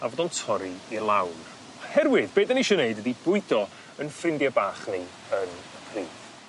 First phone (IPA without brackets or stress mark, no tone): a